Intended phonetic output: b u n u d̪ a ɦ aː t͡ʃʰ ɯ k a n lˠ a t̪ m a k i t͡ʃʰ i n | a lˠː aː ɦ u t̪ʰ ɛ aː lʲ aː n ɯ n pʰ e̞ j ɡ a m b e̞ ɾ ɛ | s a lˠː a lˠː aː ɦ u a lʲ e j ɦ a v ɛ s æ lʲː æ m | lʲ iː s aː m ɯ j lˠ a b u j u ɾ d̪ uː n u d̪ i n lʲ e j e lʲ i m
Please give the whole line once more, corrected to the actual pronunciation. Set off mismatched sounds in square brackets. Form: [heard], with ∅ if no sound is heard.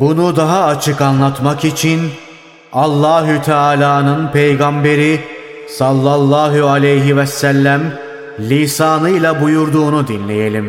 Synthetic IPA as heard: b u n u d̪ a ɦ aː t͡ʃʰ ɯ k a n lˠ a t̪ m a k i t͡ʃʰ i n | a lˠː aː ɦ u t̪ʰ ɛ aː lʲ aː n ɯ n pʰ e̞ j ɡ a m b e̞ ɾ [i] | s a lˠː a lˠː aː ɦ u a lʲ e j ɦ [i] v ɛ s æ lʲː æ m | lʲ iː s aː [n] ɯ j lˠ a b u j u ɾ d̪ uː n u d̪ i n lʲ e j e lʲ i m